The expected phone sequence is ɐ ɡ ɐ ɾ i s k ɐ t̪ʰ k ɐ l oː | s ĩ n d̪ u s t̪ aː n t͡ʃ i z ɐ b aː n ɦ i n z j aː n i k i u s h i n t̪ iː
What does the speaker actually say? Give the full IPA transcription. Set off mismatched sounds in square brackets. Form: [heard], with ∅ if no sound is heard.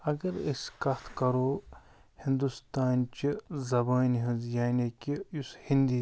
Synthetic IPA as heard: ɐ ɡ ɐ ɾ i s k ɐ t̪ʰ k ɐ [ɾ] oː | [h] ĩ n d̪ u s t̪ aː n t͡ʃ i z ɐ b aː n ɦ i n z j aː n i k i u s h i n [d̪] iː